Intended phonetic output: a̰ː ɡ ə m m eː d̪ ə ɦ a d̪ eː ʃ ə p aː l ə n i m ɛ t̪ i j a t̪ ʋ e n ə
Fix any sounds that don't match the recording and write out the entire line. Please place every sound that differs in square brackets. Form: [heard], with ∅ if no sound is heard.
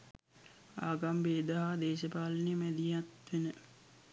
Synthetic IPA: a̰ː ɡ [a] m [b] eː d̪ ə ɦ a d̪ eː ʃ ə p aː l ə n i m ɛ [d̪] i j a t̪ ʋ e n ə